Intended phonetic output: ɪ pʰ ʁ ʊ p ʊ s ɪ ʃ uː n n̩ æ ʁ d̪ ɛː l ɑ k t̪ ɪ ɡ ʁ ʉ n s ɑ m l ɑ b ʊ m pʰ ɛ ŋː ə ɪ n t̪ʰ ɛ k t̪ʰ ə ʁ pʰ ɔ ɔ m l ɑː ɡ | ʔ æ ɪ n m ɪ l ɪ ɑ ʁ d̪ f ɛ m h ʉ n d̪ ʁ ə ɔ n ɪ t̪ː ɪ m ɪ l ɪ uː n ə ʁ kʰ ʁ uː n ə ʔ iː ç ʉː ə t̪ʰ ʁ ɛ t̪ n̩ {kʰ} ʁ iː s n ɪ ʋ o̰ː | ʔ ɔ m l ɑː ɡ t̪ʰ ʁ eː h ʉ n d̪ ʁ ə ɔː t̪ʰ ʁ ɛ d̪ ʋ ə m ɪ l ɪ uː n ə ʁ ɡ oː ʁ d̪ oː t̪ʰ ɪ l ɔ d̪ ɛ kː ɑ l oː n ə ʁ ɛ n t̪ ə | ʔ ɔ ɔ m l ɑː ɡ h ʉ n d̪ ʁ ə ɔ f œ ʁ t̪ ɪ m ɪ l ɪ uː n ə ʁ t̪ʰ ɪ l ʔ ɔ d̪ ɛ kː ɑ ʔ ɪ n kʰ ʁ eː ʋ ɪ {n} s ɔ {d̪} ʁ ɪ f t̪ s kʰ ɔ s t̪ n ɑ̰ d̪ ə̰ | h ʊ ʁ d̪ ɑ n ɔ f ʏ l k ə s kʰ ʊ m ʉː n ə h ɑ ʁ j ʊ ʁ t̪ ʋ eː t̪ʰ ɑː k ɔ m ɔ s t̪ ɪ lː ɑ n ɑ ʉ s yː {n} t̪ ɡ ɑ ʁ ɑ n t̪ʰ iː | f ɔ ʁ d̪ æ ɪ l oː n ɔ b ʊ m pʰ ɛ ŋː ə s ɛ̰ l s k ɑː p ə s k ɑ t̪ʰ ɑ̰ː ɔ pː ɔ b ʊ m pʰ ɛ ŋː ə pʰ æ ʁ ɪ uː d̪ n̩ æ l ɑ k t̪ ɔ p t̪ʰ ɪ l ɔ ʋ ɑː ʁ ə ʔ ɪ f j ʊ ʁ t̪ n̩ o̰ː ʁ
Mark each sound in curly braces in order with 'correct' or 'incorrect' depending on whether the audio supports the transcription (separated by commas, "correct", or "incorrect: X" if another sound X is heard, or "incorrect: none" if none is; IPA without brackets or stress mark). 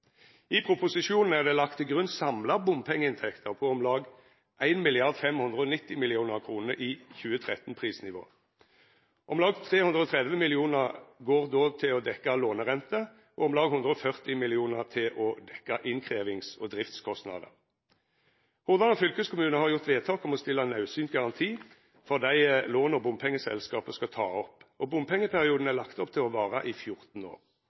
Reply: incorrect: pʰ, incorrect: ŋ, correct, correct